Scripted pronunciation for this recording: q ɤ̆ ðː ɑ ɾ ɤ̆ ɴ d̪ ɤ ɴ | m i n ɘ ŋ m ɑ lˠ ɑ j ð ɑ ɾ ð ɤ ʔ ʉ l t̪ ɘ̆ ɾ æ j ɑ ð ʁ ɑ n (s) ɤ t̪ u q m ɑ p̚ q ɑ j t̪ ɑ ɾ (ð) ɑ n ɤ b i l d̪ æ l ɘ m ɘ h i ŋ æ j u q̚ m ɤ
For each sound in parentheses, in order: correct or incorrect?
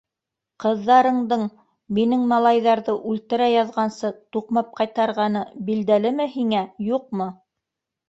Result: correct, incorrect

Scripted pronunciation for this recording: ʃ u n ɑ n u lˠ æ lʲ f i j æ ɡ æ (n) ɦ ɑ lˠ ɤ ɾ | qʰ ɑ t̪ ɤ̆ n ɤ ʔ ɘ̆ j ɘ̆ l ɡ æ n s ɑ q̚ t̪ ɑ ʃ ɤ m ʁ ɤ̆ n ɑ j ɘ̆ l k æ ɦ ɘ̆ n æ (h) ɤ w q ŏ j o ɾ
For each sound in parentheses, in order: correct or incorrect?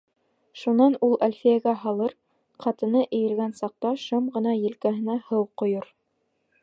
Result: incorrect, correct

